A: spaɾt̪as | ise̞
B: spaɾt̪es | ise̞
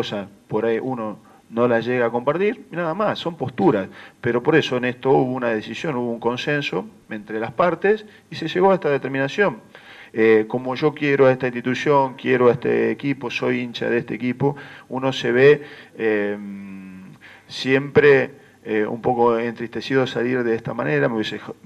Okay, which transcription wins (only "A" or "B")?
B